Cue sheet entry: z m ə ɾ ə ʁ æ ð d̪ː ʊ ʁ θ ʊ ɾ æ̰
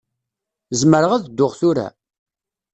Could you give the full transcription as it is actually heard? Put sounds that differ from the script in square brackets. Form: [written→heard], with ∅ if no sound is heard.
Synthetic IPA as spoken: z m ə ɾ ə ʁ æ ð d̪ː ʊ ʁ θ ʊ ɾ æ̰